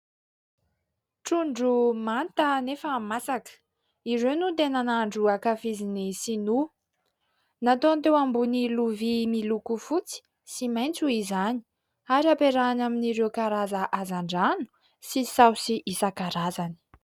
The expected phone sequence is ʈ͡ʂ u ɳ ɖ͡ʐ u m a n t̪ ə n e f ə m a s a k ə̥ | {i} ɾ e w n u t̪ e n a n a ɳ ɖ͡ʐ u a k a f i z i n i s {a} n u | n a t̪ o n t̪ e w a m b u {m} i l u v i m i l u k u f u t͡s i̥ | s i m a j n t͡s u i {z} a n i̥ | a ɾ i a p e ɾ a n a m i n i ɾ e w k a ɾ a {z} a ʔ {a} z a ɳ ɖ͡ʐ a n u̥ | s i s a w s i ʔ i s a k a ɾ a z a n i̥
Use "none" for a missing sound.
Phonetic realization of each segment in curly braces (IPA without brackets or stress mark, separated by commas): i, i, n, z, z, a